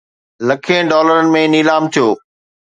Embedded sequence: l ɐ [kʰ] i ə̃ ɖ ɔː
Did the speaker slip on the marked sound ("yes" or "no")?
no